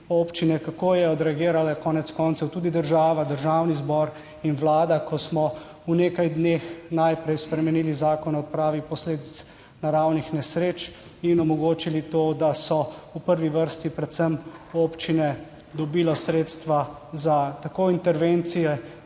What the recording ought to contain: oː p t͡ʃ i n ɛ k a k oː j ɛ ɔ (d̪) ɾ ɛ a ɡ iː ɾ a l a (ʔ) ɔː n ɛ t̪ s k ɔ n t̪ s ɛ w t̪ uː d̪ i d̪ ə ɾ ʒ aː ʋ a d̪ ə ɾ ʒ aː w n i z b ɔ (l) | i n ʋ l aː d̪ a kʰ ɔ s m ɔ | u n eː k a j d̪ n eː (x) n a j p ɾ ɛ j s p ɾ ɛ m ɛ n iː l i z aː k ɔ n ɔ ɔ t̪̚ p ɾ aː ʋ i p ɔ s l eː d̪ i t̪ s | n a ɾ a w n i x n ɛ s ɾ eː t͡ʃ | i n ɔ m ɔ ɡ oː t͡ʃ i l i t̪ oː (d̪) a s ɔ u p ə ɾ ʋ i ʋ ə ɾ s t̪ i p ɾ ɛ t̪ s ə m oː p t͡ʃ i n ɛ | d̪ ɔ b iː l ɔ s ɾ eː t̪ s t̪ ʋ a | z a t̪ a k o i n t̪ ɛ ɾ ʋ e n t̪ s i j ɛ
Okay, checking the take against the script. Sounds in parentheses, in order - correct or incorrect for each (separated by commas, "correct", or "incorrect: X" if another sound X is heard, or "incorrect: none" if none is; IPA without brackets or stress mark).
correct, incorrect: k, incorrect: ɾ, correct, correct